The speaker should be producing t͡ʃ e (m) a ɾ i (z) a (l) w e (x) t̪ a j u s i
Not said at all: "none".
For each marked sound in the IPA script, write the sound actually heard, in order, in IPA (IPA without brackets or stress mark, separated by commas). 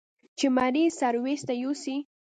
m, s, ɾ, s